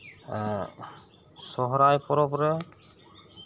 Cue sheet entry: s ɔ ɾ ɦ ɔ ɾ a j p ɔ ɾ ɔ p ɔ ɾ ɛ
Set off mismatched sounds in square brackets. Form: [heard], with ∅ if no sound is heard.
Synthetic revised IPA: s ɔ [∅] ɦ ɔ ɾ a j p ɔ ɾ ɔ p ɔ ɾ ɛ

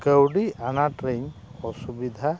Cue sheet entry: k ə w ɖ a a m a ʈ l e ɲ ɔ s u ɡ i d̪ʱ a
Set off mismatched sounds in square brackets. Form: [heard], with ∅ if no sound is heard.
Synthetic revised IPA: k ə w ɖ [i] a [n] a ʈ [ɾ] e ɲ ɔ s u [b] i d̪ʱ a

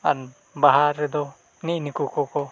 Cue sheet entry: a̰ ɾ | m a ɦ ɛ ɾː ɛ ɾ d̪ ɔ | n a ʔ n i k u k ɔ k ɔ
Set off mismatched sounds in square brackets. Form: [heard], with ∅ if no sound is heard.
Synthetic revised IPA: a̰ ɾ | [b] a ɦ [a] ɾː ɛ [∅] d̪ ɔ | n [i] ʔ n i k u k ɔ k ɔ

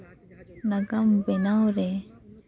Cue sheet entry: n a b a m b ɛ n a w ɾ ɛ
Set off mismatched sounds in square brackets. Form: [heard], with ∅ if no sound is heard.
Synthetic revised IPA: n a [ɡ] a m b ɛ n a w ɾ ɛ

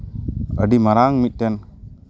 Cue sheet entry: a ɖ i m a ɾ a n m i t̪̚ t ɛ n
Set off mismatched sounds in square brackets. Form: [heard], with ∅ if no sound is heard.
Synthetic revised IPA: [ə] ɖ i m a ɾ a [ŋ] m i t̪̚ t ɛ n

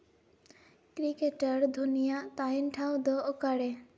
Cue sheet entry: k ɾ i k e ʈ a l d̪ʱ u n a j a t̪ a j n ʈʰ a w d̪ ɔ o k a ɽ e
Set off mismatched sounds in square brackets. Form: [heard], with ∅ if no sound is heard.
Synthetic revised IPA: k ɾ i k e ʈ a [ɾ] d̪ʱ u n [i] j a t̪ a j n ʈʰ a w d̪ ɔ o k a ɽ e

